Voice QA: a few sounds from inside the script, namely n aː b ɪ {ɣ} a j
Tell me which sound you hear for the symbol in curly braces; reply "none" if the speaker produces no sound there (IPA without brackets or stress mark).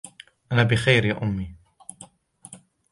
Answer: x